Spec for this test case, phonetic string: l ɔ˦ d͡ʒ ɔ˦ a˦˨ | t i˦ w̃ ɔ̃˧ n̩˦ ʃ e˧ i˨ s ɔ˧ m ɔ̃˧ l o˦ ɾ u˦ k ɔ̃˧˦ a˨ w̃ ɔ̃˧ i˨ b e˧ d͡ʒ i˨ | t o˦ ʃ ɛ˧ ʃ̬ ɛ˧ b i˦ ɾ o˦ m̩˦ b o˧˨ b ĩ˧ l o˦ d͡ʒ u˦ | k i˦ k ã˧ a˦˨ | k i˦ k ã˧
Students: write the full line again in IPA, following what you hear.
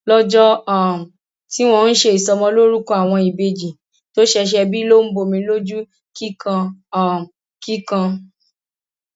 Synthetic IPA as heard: l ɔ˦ d͡ʒ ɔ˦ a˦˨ | t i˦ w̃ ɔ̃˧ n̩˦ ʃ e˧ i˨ s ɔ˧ m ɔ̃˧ l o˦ ɾ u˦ k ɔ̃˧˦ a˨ w̃ ɔ̃˧ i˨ b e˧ d͡ʒ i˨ | t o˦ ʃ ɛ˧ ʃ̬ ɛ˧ b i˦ l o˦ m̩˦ b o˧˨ m ĩ˧ l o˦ d͡ʒ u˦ | k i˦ k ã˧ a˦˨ | k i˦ k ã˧